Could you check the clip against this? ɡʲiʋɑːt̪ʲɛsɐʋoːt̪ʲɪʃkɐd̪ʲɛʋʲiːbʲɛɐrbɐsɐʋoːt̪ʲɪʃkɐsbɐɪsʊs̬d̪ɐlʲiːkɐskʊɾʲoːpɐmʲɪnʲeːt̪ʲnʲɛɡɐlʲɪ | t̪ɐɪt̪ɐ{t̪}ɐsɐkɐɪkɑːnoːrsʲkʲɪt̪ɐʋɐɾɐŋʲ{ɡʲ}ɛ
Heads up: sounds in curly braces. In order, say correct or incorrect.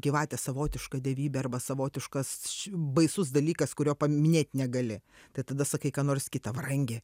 incorrect: d̪, correct

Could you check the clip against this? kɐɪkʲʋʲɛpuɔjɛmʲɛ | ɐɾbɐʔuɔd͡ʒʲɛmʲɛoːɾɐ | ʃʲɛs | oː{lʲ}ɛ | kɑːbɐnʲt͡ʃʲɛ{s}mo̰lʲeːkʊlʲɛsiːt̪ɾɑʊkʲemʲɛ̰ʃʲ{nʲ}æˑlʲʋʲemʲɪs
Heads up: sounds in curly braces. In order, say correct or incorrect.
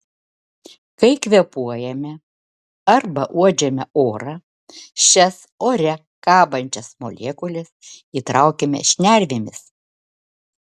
incorrect: ɾʲ, correct, correct

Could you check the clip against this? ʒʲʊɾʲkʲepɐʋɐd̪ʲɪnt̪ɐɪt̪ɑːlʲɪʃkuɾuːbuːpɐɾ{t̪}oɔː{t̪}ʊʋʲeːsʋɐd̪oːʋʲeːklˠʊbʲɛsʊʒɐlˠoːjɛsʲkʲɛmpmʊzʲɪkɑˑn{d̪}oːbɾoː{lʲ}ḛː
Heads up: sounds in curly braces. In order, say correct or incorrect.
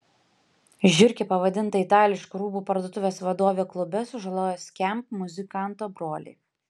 incorrect: d̪, correct, incorrect: t̪, correct

